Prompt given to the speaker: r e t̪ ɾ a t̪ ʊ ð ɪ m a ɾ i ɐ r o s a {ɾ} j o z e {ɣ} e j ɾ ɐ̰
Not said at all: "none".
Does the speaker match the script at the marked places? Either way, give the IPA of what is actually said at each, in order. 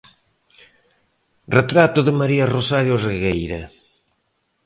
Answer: ɾ, ɣ

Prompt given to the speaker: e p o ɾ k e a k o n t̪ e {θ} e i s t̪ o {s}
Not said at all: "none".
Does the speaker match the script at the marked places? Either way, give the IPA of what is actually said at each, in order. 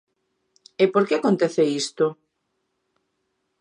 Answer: θ, none

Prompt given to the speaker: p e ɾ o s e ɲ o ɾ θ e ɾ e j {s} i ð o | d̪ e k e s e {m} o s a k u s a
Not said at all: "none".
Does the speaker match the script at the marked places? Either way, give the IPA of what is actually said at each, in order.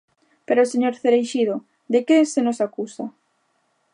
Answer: ʃ, n

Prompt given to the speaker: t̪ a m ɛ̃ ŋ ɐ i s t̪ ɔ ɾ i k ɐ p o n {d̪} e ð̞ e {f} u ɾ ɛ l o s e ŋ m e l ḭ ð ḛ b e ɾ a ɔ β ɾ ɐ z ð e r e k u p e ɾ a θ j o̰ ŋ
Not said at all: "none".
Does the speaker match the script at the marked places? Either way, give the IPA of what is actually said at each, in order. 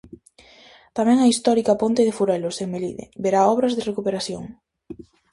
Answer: t̪, f

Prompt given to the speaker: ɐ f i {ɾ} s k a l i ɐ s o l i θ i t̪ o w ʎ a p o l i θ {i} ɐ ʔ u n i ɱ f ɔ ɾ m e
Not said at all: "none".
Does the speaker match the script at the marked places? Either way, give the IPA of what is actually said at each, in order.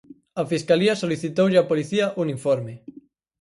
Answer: none, i

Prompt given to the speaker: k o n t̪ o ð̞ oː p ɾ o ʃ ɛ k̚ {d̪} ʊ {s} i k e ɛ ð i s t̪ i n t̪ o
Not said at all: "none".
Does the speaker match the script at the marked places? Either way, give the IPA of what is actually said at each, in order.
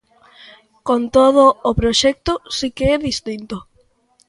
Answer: t̪, s

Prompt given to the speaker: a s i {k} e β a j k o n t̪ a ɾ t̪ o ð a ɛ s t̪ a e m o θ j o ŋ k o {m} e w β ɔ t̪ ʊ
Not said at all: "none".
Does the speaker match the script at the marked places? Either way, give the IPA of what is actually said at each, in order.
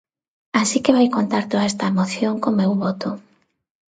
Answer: k, m

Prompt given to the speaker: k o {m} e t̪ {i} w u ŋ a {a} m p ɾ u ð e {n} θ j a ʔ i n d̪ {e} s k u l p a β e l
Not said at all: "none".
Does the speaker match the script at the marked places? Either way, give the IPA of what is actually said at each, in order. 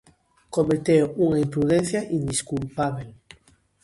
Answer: m, e, i, n, i

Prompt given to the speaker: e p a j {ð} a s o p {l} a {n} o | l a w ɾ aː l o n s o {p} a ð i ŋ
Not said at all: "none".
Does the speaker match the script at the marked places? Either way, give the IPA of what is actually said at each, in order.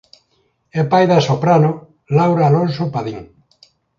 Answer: ð, ɾ, n, p

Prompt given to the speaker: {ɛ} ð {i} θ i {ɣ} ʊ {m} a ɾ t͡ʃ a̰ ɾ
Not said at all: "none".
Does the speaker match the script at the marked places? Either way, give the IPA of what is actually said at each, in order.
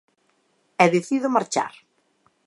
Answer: ɛ, e, ð, m

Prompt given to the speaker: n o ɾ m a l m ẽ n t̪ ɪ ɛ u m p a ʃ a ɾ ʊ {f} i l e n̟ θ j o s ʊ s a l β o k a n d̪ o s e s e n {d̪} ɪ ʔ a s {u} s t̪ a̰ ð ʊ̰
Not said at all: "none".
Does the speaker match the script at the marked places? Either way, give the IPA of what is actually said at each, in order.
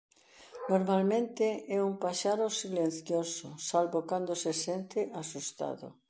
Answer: s, t̪, u

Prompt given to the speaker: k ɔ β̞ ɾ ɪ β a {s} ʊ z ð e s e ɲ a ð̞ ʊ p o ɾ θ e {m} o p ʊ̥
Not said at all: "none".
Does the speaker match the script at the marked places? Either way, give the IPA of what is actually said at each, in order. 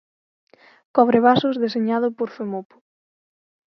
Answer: s, m

